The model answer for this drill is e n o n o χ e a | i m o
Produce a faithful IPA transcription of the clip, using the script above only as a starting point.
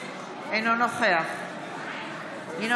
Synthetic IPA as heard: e n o n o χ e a | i n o